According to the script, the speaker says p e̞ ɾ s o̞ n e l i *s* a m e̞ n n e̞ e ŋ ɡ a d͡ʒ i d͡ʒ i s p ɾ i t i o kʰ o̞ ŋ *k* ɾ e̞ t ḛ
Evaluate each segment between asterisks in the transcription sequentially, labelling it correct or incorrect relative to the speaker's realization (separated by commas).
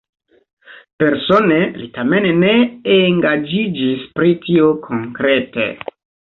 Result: incorrect, correct